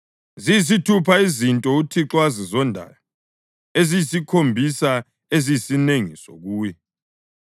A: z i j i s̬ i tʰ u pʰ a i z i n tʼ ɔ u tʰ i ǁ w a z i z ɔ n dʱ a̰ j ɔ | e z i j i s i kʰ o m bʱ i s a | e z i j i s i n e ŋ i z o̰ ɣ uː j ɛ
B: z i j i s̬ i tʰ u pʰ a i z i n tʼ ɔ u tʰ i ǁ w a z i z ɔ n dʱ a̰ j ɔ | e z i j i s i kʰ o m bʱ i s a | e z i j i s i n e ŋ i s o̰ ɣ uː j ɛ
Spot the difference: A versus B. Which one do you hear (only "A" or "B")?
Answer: B